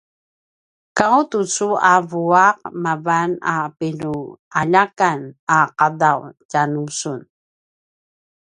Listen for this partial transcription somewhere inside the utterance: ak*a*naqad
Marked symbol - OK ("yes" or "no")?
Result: yes